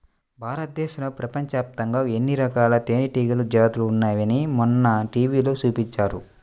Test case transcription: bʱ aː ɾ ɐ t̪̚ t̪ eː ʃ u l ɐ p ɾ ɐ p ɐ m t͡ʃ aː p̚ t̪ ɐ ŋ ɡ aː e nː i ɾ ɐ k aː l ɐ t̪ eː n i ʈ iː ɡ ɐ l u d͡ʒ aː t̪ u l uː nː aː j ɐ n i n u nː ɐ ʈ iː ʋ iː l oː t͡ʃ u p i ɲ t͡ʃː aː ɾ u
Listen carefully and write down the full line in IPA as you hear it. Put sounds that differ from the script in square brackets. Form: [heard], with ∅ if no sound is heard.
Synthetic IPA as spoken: bʱ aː ɾ ɐ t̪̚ [d̪] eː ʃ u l ɐ p ɾ ɐ p ɐ [ɲ] t͡ʃ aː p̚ t̪ ɐ ŋ ɡ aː e nː i ɾ ɐ k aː l ɐ t̪ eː n i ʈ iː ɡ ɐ l u d͡ʒ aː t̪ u l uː nː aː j ɐ n i [m] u nː ɐ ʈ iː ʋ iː l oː t͡ʃ [uː] p i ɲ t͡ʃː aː ɾ u